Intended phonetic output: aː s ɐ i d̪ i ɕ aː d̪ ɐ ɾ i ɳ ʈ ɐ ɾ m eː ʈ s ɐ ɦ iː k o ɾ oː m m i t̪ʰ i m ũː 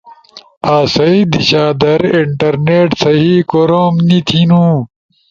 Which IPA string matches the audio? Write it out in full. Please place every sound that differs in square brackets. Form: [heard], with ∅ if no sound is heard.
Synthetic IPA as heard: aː s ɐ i d̪ i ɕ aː d̪ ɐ ɾ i ɳ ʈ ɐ ɾ [n] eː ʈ s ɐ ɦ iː k o ɾ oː m [n] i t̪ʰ i [n] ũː